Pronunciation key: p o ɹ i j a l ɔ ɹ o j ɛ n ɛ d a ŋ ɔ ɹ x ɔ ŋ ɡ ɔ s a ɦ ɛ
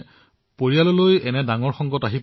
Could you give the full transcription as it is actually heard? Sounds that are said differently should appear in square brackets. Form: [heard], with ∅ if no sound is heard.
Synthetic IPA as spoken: p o ɹ i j a l ɔ [l] o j ɛ n ɛ d a ŋ ɔ ɹ x ɔ ŋ ɡ ɔ [t] a ɦ [i]